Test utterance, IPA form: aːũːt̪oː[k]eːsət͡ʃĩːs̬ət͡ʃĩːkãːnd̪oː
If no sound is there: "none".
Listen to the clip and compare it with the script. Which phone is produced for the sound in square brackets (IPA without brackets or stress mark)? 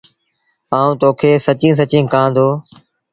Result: kʰ